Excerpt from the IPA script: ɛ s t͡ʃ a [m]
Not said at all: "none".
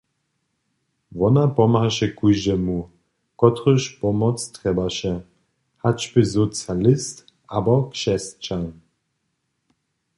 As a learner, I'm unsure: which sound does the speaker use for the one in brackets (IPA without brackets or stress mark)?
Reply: n